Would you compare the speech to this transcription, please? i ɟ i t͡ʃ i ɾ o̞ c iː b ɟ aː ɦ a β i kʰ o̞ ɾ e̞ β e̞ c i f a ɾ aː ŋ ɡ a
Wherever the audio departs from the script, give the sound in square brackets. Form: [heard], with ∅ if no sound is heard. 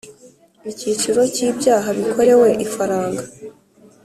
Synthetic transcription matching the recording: i [c] i t͡ʃ i ɾ o̞ c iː b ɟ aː ɦ a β i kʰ o̞ ɾ e̞ [w] e̞ [ʔ] i f a ɾ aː ŋ ɡ a